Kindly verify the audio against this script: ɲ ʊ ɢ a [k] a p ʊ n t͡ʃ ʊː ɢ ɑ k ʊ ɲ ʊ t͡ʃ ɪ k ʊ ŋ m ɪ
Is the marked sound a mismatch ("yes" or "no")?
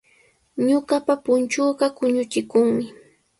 yes